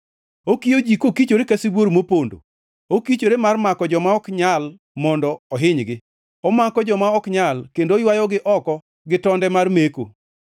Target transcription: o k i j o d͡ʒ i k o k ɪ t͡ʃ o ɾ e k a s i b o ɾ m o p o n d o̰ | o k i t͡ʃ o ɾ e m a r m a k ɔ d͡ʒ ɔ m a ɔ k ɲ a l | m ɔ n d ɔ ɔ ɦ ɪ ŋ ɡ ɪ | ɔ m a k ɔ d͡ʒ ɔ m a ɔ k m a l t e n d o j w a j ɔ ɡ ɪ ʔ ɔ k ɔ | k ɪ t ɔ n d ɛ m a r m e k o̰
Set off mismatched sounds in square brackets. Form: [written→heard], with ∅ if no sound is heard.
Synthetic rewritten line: o k i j o d͡ʒ i k o k [ɪ→i] t͡ʃ o ɾ e k a s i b o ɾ m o p o n d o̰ | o k i t͡ʃ o ɾ e m a r m a k ɔ d͡ʒ ɔ m a ɔ k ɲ a l | m ɔ n d ɔ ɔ ɦ ɪ [ŋ→ɲ] ɡ ɪ | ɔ m a k ɔ d͡ʒ ɔ m a ɔ k [m→ɲ] a l [t→k] e n d o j w a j ɔ ɡ ɪ ʔ ɔ k ɔ | [k→ɡ] ɪ t ɔ n d ɛ m a r m e k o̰